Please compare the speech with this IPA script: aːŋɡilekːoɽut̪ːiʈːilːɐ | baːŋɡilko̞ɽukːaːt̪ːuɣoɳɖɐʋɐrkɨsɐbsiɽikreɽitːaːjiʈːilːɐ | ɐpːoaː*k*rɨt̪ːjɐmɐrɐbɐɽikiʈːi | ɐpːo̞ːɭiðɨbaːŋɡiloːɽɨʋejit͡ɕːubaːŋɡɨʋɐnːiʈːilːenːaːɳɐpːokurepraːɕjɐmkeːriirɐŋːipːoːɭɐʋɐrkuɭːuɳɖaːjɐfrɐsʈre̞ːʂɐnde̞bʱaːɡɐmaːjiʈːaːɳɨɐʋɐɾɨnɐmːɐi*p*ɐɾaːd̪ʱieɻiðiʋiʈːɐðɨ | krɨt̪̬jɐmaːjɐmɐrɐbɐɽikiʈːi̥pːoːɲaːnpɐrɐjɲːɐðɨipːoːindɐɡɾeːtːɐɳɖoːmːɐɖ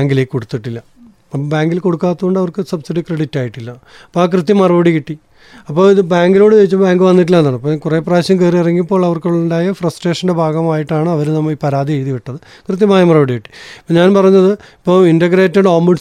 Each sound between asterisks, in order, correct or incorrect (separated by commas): correct, correct